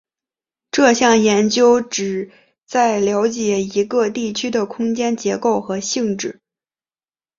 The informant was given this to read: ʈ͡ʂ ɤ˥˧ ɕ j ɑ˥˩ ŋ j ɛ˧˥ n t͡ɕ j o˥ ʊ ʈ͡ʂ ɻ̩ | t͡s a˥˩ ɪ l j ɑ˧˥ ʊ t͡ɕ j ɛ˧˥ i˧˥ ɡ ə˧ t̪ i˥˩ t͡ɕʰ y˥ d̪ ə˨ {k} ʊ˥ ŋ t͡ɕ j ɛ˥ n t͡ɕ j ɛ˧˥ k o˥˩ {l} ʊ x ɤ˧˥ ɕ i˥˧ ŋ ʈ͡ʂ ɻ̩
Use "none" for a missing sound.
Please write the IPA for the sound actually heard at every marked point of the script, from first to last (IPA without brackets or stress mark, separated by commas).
kʰ, none